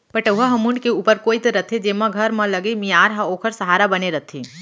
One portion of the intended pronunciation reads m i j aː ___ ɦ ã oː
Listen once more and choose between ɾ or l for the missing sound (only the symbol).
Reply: ɾ